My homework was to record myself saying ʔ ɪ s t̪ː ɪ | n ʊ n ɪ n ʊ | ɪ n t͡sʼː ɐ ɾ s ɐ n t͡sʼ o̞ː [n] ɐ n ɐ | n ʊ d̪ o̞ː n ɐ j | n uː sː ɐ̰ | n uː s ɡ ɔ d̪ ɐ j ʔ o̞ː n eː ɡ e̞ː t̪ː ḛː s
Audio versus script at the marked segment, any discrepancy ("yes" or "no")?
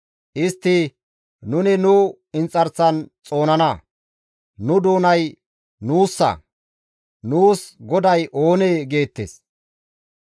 no